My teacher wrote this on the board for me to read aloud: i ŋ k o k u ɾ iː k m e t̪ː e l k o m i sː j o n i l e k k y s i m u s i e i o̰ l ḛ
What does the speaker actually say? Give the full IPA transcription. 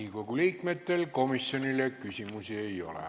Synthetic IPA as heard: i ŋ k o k u l iː k m e t̪ː e l k o m i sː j o n i l e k k y s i m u s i e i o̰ l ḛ